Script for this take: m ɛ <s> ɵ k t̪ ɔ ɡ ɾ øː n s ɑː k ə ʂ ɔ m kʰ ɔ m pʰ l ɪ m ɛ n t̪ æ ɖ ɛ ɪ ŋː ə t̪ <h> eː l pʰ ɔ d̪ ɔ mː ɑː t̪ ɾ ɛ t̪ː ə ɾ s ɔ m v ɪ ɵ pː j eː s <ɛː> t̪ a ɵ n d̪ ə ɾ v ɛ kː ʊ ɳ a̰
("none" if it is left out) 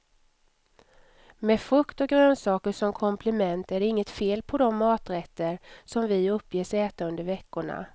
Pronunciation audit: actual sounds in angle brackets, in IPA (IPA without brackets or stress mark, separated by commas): f, f, ɛː